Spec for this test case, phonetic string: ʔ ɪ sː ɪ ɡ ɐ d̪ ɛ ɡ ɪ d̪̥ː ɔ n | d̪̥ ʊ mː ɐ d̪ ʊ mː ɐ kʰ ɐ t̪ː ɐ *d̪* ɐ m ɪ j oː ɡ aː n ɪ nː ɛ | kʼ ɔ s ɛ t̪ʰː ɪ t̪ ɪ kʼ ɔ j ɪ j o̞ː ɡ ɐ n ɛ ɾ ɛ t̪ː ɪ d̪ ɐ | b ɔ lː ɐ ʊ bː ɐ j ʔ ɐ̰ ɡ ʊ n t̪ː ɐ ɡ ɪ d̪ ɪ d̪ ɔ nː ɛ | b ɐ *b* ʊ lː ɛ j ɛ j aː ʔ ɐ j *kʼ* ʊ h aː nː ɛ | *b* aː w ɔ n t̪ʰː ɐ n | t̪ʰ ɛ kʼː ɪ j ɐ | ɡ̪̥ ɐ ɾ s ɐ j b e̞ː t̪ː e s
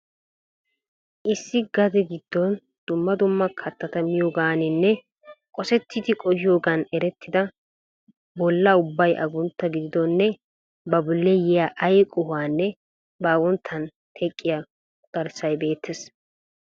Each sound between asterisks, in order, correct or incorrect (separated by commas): incorrect, correct, correct, correct